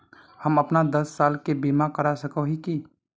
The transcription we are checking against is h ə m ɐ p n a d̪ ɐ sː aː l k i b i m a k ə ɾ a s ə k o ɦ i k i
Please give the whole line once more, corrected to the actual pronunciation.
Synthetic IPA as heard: h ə m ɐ p n a d̪ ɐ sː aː l k e b i m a k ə ɾ a s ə k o ɦ i k i

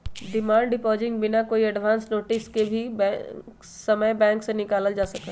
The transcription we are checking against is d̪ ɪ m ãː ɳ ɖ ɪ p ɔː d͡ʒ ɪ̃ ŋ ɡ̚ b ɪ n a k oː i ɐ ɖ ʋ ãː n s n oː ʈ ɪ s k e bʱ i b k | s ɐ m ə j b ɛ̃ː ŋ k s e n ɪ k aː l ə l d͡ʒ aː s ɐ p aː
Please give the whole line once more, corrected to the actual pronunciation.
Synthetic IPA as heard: d̪ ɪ m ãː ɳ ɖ ɪ p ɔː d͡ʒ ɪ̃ ŋ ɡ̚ b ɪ n a k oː i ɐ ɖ ʋ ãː n s n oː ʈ ɪ s k e bʱ i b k | s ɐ m ə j b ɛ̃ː ŋ k s e n ɪ k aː l ə l d͡ʒ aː s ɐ k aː

